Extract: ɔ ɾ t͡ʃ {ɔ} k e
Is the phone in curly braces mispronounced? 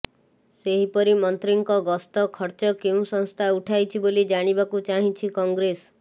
no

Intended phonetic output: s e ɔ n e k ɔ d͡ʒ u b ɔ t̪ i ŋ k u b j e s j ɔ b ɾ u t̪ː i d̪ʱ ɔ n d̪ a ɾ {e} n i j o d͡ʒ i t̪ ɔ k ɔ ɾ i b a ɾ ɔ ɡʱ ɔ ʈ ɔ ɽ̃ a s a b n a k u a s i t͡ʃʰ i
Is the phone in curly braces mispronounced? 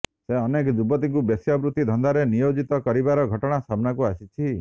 no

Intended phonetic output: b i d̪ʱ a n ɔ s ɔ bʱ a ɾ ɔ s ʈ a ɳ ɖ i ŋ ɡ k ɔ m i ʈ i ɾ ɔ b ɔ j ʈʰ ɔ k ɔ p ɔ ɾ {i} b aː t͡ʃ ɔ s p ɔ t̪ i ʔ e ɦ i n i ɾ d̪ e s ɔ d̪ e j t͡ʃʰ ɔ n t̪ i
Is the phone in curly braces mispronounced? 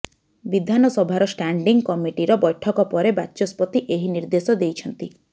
yes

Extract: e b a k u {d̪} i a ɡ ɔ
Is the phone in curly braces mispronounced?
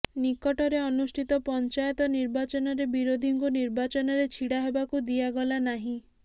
no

